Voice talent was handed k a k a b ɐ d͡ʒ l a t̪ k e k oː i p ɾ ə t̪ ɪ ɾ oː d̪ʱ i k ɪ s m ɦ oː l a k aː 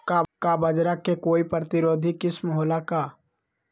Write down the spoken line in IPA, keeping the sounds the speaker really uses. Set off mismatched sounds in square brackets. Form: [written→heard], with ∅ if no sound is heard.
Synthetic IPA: k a k a b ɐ d͡ʒ [l→ɾ] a [t̪→∅] k e k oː i p ɾ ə t̪ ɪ ɾ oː d̪ʱ i k ɪ s m ɦ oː l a k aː